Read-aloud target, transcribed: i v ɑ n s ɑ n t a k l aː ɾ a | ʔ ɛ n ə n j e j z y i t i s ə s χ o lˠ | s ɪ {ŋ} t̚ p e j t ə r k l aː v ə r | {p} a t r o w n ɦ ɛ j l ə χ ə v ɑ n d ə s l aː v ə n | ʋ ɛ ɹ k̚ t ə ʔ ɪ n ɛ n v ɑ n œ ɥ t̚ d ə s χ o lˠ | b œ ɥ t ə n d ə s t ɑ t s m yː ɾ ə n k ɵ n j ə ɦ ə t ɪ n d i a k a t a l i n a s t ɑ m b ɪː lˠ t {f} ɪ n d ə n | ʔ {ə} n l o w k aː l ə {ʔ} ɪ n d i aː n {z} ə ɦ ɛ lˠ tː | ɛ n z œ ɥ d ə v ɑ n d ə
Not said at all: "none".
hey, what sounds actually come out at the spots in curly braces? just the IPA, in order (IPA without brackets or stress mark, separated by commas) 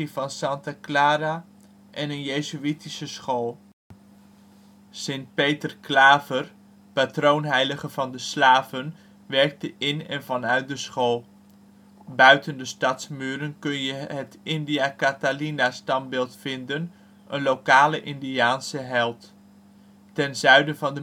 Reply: n, p, f, ə, ʔ, s